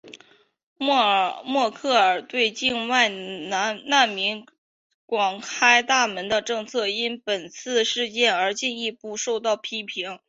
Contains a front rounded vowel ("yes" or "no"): no